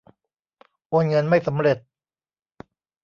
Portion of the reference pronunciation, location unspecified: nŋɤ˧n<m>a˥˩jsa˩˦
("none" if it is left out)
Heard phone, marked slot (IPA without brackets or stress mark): m